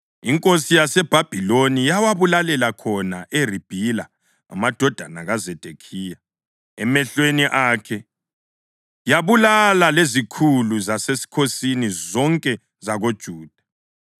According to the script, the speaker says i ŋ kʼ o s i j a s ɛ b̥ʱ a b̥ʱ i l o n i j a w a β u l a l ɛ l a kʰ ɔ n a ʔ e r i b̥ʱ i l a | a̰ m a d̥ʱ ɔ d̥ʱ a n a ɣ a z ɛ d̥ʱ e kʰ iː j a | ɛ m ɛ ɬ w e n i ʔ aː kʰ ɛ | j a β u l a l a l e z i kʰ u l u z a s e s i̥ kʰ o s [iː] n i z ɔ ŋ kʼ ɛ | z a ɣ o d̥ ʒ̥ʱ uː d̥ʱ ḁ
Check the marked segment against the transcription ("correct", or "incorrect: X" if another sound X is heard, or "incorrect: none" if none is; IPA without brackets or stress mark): incorrect: i